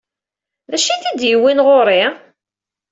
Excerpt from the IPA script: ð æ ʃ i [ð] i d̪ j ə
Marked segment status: incorrect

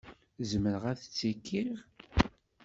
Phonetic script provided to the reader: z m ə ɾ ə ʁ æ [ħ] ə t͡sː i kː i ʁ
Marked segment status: incorrect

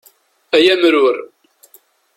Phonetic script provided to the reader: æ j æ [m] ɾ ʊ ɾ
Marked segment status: correct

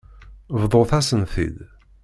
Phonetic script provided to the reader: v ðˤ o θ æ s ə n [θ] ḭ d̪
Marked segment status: correct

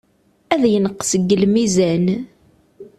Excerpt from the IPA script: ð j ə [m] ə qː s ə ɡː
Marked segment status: incorrect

